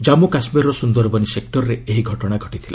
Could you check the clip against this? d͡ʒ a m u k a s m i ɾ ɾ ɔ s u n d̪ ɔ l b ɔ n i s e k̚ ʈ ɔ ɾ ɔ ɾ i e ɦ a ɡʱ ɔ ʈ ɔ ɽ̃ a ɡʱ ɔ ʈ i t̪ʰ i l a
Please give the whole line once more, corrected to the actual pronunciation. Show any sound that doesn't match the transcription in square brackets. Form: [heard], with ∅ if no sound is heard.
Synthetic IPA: d͡ʒ a m u k a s m i ɾ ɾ ɔ s u n d̪ ɔ [ɾ] b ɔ n i s e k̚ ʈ ɔ ɾ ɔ ɾ [e] e ɦ [i] ɡʱ ɔ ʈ ɔ ɽ̃ a ɡʱ ɔ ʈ i t̪ʰ i l a